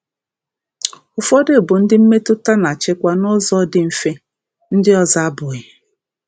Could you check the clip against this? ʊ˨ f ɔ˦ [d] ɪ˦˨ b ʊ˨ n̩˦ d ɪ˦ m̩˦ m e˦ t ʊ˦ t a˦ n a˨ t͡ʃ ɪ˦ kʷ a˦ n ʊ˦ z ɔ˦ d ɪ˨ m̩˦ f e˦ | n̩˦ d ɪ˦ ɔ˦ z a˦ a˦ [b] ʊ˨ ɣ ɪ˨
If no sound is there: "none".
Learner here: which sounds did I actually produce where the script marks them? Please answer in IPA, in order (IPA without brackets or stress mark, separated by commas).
d, b